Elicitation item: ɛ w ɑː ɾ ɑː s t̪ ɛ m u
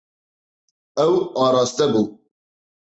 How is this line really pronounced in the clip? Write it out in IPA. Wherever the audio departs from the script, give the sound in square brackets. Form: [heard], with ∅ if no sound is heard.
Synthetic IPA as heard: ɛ w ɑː ɾ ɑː s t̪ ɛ [b] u